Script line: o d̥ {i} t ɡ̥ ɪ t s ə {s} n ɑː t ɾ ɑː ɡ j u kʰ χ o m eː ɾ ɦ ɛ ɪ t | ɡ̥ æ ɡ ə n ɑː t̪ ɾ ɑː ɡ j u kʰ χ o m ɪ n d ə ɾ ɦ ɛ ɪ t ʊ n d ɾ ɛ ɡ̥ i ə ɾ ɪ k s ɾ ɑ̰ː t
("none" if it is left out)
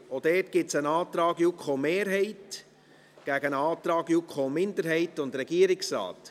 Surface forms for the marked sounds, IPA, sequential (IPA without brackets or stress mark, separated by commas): ɛ, none